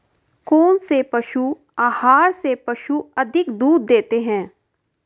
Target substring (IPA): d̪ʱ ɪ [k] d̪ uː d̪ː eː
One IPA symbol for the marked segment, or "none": k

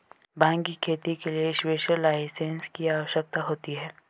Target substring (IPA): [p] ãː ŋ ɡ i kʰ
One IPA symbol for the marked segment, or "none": b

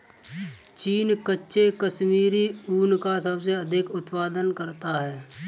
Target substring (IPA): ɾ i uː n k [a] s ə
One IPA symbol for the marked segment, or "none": a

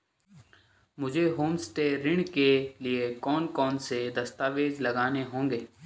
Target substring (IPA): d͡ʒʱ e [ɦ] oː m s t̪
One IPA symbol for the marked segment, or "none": ɦ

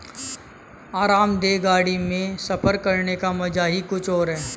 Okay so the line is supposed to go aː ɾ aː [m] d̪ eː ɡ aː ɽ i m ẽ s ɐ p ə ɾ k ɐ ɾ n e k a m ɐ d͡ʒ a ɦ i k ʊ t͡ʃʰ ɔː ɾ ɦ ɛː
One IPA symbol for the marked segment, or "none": m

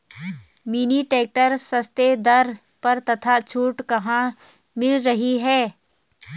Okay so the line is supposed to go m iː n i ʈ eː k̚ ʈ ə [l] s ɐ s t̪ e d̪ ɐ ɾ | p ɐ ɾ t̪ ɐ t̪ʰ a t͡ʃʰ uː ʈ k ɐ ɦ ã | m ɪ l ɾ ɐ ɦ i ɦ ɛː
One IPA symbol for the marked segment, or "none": ɾ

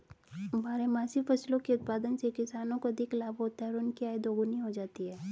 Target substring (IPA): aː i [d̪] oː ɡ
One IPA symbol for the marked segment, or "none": d̪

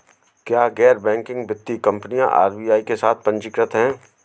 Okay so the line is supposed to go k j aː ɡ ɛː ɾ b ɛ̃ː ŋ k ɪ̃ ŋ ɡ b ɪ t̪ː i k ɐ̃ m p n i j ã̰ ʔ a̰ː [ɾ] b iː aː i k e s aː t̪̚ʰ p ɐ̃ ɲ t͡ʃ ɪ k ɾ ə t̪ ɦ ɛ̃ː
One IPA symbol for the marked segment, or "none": ɾ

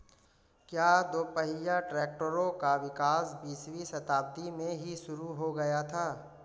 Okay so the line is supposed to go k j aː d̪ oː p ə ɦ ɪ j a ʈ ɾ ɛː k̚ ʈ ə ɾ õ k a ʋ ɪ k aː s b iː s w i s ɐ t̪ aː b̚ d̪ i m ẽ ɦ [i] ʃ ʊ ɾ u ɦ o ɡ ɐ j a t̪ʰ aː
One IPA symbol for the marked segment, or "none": i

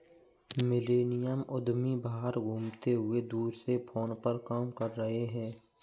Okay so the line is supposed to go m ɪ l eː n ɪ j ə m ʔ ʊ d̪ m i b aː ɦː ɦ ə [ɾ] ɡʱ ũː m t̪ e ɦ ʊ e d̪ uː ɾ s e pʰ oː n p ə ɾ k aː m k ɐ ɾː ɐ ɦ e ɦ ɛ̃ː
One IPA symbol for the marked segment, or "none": ɾ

